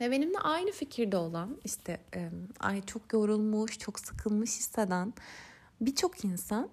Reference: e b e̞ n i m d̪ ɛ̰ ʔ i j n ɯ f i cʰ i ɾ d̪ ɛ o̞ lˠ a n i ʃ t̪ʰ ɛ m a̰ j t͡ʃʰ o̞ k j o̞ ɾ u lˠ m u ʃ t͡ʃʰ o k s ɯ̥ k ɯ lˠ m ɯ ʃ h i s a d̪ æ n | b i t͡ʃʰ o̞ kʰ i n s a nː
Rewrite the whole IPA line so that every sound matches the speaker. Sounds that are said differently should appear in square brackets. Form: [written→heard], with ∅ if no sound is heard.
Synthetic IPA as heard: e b e̞ n i m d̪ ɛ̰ ʔ [i→a] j n ɯ f i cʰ i ɾ d̪ ɛ o̞ lˠ a n i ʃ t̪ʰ ɛ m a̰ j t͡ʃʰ o̞ k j o̞ ɾ u lˠ m u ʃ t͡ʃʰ o k s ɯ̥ [k→kʰ] ɯ lˠ m ɯ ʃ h i s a d̪ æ n | b i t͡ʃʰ o̞ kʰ i n s a [nː→n]